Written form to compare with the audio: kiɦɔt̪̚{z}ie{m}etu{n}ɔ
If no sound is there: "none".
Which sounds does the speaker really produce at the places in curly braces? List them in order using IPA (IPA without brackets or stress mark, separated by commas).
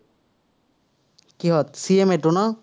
s, m, n